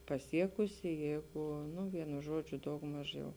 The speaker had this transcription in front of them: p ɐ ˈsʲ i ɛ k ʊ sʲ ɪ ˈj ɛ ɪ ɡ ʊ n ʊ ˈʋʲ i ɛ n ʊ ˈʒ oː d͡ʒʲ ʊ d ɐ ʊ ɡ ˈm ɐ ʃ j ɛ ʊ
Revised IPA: p ɐ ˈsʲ i ɛ k ʊ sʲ ɪ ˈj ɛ ɪ ɡ ʊ n ʊ ˈʋʲ i ɛ n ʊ ˈʒ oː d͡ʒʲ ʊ d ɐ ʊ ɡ ˈm ɐ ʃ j ɛ ʊ

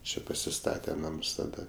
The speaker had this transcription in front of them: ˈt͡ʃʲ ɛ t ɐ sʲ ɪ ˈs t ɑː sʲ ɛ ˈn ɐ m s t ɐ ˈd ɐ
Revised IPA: ˈt͡ʃʲ ɛ p ɐ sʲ ɪ ˈs t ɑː tʲ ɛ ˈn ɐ m s t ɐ ˈd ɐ

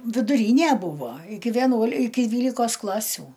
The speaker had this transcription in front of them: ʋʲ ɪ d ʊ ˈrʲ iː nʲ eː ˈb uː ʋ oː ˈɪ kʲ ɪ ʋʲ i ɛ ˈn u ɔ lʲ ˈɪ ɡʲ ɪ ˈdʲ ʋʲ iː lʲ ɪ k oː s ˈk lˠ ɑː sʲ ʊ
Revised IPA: ʋʲ ɪ d ʊ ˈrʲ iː nʲ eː ˈb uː ʋ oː ˈɪ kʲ ɪ ʋʲ i ɛ ˈn u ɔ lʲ ˈɪ kʲ ɪ ˈdʲ ʋʲ iː lʲ ɪ k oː s ˈk lˠ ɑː sʲ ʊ

